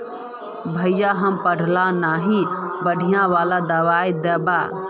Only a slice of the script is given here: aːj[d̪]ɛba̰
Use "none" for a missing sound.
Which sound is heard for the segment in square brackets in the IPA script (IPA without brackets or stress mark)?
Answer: d̪